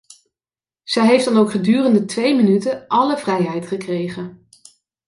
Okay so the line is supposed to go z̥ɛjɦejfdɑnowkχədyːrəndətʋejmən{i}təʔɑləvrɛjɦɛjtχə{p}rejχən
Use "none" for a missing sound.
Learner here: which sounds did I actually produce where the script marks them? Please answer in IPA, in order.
y, k

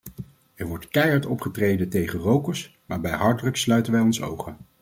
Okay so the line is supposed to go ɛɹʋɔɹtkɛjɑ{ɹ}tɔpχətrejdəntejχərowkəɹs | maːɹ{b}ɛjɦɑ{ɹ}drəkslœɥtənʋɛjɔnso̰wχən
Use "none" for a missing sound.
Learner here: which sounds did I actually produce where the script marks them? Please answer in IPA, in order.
ɹ, b, ɹ

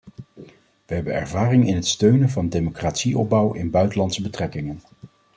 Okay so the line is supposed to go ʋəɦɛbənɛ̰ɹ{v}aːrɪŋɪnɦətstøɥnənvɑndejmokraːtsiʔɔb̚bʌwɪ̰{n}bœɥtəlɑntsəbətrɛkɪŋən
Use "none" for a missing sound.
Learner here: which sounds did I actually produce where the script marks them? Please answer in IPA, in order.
v, n

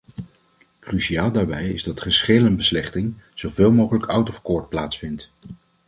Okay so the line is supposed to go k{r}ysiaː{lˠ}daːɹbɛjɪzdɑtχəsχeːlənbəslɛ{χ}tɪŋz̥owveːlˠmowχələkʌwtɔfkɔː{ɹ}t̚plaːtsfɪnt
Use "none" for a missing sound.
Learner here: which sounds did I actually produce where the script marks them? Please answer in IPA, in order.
r, lˠ, χ, ɹ

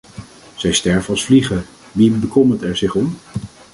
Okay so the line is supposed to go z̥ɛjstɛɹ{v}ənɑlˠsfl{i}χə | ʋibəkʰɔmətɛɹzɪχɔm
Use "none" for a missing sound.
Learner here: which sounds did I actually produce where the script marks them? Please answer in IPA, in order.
v, i

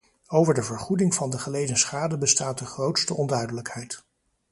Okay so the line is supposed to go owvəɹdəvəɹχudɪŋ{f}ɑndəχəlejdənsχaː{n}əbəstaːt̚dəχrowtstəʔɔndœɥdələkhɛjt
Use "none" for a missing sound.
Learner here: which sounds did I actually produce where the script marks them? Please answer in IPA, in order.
v, d

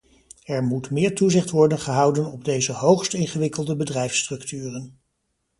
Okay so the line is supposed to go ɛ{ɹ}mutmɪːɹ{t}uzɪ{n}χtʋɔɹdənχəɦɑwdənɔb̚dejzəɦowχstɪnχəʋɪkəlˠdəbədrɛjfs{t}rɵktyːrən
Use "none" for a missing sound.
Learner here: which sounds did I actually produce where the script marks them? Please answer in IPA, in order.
ɹ, t, none, t

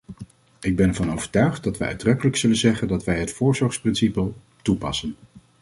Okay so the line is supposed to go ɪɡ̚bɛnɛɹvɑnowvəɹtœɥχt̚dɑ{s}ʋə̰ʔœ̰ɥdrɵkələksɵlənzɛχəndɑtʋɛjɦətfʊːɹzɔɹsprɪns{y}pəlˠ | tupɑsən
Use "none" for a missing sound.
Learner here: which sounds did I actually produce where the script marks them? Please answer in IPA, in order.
t, i

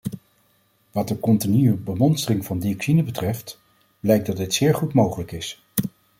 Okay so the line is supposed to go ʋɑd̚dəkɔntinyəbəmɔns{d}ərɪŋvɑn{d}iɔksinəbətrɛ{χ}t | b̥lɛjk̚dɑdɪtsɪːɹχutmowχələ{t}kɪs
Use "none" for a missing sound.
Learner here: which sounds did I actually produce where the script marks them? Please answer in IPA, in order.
t, d, f, none

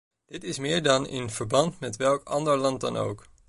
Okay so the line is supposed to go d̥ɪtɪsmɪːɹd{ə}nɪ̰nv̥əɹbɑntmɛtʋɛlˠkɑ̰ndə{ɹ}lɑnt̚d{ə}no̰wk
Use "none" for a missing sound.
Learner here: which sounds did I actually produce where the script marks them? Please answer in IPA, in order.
ɑ, ɹ, ɑ

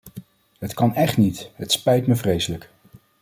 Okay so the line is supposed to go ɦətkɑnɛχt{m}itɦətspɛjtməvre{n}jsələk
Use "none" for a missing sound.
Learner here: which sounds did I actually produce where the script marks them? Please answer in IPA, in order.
n, none

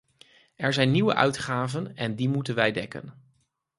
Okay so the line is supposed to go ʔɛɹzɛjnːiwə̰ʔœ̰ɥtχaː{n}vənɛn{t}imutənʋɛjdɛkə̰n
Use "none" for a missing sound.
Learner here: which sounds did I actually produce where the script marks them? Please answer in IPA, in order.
none, d

